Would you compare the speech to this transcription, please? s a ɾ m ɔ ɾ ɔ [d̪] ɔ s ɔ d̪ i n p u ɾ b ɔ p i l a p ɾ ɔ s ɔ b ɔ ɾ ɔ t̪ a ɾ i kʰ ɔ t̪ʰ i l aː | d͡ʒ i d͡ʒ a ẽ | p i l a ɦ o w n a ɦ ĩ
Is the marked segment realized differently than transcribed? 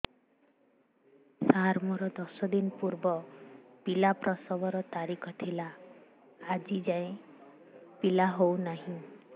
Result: no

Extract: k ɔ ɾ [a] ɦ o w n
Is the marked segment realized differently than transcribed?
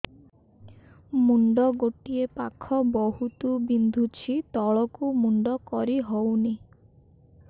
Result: yes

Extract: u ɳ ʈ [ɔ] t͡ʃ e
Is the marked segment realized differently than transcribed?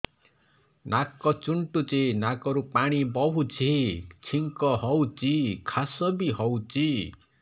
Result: yes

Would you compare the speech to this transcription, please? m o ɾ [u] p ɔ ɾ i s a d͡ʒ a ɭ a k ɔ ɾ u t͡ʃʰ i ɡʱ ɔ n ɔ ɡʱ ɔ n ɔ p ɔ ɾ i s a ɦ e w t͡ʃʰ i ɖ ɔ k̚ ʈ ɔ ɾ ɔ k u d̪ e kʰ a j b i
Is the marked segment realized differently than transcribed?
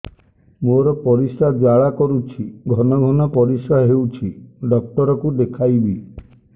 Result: yes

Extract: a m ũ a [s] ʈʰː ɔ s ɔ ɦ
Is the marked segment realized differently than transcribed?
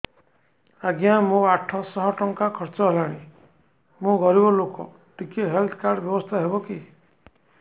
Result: yes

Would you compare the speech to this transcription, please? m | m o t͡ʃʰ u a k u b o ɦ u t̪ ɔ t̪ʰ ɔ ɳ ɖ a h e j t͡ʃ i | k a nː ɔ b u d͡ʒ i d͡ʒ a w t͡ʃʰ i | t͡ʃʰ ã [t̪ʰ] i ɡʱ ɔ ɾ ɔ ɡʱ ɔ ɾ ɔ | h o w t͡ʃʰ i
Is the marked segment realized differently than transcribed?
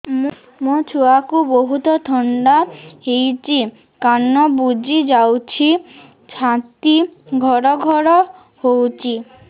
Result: yes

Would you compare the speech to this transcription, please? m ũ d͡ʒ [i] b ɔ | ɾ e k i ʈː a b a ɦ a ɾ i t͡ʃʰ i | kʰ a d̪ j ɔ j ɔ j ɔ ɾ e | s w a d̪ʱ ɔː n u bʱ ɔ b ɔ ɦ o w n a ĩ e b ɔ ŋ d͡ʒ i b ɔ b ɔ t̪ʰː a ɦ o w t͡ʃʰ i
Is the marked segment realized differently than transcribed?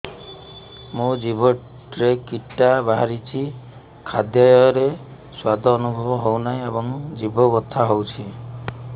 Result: no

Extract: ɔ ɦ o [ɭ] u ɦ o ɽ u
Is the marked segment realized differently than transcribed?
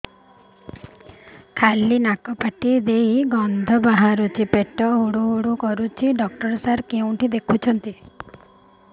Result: yes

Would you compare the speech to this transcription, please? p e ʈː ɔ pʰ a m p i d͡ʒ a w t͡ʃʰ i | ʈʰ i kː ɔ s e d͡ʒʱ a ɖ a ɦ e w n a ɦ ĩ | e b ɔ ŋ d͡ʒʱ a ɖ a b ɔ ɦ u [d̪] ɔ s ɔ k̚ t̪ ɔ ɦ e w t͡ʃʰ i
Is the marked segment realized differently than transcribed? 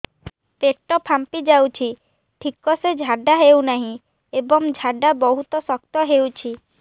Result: yes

